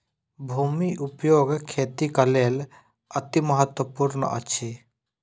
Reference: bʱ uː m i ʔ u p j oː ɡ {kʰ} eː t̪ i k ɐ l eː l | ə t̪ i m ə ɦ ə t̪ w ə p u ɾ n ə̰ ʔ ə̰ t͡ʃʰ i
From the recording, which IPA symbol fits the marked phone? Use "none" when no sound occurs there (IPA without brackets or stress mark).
kʰ